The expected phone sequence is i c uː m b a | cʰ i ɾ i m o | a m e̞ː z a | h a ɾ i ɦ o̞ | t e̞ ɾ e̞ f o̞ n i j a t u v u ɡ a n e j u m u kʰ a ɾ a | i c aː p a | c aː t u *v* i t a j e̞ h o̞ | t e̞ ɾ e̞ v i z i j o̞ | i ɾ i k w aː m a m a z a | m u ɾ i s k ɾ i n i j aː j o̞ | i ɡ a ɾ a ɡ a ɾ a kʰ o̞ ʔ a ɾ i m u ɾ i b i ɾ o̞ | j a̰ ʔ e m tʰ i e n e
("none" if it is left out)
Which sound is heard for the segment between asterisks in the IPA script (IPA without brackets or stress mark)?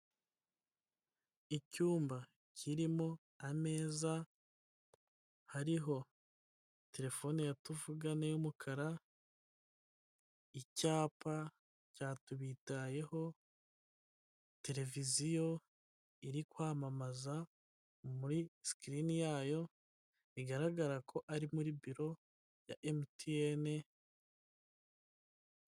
β